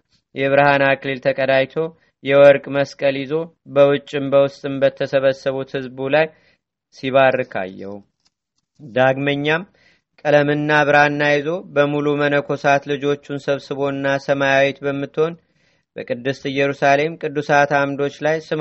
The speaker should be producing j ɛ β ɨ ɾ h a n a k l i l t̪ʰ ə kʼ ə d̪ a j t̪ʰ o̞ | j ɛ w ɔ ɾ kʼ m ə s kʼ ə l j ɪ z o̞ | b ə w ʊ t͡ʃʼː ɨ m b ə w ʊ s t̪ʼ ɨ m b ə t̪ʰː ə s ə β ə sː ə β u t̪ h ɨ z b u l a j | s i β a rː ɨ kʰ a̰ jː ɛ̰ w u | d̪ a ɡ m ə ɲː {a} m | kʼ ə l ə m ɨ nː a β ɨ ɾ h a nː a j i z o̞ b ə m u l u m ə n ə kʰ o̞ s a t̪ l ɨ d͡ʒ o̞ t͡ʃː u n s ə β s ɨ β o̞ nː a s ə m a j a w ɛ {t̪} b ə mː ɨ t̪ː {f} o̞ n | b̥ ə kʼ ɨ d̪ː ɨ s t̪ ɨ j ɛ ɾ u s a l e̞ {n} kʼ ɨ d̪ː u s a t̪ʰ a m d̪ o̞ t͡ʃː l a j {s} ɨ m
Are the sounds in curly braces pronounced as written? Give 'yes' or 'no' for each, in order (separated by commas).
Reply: yes, yes, no, no, yes